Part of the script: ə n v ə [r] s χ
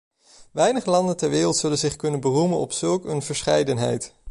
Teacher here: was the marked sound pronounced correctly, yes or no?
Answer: no